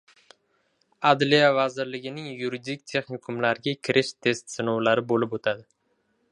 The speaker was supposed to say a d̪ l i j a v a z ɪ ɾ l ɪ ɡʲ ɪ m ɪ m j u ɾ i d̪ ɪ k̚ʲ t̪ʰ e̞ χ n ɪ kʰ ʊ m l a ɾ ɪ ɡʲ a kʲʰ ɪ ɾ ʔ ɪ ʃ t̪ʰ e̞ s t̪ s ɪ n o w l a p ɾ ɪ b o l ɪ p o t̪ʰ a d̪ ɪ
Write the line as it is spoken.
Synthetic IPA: a d̪ l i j a v a z ɪ ɾ l ɪ ɡʲ ɪ n ɪ ŋ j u ɾ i d̪ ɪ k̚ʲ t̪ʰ e̞ χ n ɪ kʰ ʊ m l a ɾ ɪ ɡʲ a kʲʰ ɪ ɾ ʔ ɪ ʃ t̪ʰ e̞ s t̪ s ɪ n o w l a ɾ ɪ b o l ɪ p o t̪ʰ a d̪ ɪ

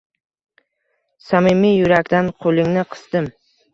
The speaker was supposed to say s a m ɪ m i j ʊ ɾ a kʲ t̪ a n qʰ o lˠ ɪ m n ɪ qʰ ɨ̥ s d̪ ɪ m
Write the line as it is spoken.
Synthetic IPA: s a m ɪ m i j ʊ ɾ a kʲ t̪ a n qʰ o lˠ ɪ ŋ n ɪ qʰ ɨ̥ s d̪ ɪ m

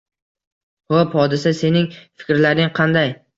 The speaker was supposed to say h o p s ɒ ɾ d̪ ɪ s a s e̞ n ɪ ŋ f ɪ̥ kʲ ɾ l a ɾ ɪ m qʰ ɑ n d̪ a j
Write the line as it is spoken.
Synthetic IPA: h o p h ɒ d̪ ɪ s a s e̞ n ɪ ŋ f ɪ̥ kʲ ɾ l a ɾ ɪ ŋ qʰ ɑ n d̪ a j

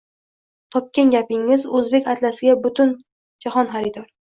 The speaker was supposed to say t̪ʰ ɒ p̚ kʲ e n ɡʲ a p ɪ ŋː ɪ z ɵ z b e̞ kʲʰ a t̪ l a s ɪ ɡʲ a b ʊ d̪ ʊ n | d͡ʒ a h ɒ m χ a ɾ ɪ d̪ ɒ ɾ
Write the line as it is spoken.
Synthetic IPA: t̪ʰ ɒ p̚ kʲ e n ɡʲ a p ɪ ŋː ɪ z ɵ z b e̞ kʲ a t̪ l a s ɪ ɡʲ a b ʊ t̪ ʊ n | d͡ʒ a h ɒ n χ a ɾ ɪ d̪ ɒ ɾ

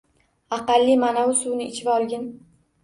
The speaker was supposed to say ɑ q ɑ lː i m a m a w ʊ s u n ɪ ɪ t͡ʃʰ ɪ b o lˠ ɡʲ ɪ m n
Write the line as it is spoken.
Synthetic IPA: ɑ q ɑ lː i m a n a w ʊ s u n ɪ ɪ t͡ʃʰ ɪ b ɒ lˠ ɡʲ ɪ n

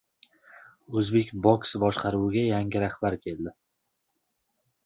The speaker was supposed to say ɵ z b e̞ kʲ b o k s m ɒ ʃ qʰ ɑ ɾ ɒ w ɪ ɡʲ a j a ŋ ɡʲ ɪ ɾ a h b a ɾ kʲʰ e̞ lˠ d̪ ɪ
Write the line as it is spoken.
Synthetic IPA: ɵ z b e̞ kʲ b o k s b ɒ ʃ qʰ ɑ ɾ u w ɪ ɡʲ a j a ŋ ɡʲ ɪ ɾ a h b a ɾ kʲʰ e̞ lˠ d̪ ɪ

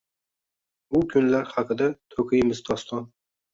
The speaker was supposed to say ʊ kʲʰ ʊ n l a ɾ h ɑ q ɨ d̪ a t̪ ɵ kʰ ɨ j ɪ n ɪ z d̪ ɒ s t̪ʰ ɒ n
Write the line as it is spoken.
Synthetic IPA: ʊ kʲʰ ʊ n l a ɾ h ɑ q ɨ d̪ a t̪ʰ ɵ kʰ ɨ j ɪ m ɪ z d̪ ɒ s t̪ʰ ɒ n

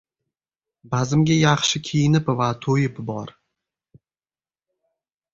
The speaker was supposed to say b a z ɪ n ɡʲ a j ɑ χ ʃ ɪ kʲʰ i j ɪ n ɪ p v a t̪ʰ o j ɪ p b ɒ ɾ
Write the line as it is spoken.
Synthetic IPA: b a z ɪ m ɡʲ a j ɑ χ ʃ ɪ kʲʰ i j ɪ n ɪ p v a t̪ʰ o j ɪ p b ɒ ɾ

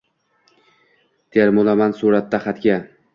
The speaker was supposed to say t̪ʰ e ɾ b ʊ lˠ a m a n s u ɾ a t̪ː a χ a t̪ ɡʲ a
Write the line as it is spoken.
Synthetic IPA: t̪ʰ e ɾ m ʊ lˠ a m a n s u ɾ a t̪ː a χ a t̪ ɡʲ a

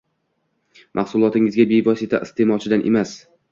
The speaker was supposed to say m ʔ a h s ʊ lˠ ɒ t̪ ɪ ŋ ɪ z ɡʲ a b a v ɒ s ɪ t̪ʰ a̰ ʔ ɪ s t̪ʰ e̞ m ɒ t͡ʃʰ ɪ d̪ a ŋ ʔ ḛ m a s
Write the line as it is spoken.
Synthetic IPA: m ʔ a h s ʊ lˠ ɒ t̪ ɪ ŋ ɪ z ɡʲ a b e v ɒ s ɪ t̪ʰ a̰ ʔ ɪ s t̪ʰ e̞ m ɒ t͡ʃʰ ɪ d̪ a n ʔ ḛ m a s

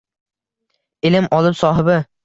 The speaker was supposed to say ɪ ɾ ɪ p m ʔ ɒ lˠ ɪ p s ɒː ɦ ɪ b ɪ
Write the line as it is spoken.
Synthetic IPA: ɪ l ɪ m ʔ ɒ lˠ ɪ p s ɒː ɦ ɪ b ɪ

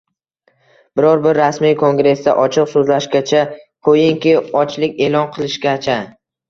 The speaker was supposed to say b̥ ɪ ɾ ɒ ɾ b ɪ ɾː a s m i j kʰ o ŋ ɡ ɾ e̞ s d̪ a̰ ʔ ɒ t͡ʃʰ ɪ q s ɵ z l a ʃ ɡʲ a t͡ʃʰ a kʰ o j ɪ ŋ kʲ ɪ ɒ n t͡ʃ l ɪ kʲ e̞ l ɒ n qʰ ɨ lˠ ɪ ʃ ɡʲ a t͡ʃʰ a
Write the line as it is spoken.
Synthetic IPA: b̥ ɪ ɾ ɒ ɾ b ɪ ɾː a s m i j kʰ o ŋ ɡ ɾ e̞ s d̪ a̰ ʔ ɒ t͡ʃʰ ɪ q s ɵ z l a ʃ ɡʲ a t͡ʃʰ a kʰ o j ɪ ŋ kʲ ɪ ɒ t͡ʃ l ɪ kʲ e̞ l ɒ n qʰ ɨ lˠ ɪ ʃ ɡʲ a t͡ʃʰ a

